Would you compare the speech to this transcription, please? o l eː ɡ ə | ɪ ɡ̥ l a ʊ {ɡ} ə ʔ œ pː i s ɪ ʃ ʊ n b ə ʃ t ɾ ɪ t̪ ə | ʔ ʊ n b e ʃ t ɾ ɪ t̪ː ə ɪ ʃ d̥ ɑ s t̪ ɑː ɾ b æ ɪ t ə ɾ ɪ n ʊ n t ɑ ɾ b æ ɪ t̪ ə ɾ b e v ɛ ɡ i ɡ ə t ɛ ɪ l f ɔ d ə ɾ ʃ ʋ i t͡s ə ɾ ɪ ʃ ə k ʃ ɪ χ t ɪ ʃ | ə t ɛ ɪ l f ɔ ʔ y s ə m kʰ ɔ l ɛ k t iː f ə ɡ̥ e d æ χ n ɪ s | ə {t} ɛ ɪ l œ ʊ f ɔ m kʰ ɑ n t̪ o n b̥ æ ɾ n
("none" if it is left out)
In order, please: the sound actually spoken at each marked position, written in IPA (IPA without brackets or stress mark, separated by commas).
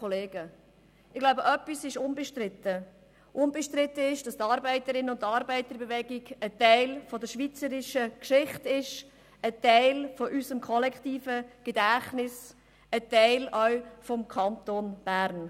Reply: b, t